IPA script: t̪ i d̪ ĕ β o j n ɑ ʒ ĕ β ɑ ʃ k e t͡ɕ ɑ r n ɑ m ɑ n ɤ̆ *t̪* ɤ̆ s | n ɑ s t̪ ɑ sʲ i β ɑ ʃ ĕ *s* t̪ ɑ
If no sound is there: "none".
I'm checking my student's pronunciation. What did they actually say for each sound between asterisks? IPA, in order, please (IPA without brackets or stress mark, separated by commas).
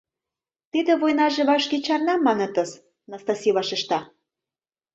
t̪, ʃ